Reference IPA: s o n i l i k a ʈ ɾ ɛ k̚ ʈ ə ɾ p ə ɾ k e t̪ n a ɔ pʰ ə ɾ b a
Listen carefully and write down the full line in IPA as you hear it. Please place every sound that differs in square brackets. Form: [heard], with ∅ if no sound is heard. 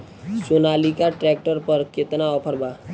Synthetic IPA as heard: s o n [a] l i k a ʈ ɾ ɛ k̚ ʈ ə ɾ p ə ɾ k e t̪ n a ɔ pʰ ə ɾ b a